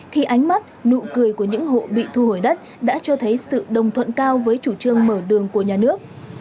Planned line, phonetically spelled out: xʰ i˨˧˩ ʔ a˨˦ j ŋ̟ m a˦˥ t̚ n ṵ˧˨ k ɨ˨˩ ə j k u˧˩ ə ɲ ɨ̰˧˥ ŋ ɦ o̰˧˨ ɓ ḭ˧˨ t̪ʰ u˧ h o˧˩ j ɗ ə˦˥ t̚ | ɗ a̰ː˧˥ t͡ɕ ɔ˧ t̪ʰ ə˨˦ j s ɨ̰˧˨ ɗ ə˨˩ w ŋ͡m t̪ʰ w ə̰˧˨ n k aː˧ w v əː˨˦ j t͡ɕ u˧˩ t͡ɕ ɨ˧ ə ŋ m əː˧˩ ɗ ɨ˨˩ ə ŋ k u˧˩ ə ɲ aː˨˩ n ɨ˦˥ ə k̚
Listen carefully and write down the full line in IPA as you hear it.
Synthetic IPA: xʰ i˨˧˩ ʔ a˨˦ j ŋ̟ m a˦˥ t̚ n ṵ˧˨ k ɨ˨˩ ə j k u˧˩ ə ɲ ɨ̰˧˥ ŋ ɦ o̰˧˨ ɓ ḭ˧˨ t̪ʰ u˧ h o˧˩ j ɗ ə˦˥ t̚ | ɗ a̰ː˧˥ t͡ɕ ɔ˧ t̪ʰ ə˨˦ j s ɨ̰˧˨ ɗ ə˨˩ w ŋ͡m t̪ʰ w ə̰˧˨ n k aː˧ w v əː˨˦ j t͡ɕ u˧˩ t͡ɕ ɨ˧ ə ŋ m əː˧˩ ɗ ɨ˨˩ ə ŋ k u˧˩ ə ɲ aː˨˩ n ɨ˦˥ ə k̚